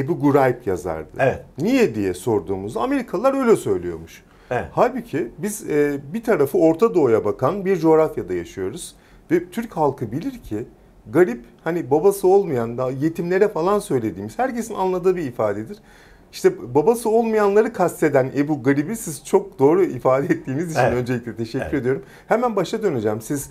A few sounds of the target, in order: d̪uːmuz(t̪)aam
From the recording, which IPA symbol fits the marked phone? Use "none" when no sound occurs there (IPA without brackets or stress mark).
d̪